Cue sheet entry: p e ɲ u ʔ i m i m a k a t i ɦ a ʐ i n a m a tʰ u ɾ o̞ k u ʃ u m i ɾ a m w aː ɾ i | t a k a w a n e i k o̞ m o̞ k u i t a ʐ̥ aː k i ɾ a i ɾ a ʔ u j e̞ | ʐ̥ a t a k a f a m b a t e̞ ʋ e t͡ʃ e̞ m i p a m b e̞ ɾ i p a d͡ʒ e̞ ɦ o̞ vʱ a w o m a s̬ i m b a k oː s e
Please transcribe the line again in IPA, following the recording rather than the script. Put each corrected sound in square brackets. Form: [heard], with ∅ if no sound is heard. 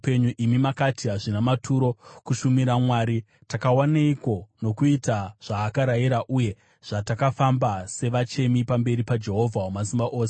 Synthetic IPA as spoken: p e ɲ u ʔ i m i m a k a t i ɦ a ʐ i n a m a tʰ u ɾ o̞ k u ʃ u m i ɾ a m w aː ɾ i | t a k a w a n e i k o̞ [n] o̞ k u i t a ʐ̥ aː k [a] ɾ a i ɾ a ʔ u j e̞ | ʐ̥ a t a k a f a m b a [s] e̞ ʋ [a] t͡ʃ e̞ m i p a m b e̞ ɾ i p a d͡ʒ e̞ ɦ o̞ vʱ a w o m a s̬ i m b a [ʔ] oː s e